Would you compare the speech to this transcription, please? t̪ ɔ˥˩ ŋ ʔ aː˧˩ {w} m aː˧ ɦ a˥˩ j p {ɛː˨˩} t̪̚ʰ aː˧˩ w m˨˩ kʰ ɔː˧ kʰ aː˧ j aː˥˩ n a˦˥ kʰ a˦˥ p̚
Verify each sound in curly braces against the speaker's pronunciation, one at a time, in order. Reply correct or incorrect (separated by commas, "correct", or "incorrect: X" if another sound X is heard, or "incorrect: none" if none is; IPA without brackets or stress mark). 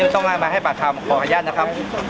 incorrect: none, incorrect: aː˨˩